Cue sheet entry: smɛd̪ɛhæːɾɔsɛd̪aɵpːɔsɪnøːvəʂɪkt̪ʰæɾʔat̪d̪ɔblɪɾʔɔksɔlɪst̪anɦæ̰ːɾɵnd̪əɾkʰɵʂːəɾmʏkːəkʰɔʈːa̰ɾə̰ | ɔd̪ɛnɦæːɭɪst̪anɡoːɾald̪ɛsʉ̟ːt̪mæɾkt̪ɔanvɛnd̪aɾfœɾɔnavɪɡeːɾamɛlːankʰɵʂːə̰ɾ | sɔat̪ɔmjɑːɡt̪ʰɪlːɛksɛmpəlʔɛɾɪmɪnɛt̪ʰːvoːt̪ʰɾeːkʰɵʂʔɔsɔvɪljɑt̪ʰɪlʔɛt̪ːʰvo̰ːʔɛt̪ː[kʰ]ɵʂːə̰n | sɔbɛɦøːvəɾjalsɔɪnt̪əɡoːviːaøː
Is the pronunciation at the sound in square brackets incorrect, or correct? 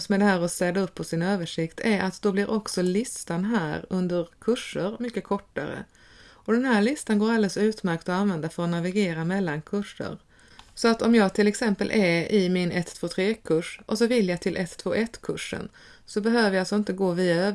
correct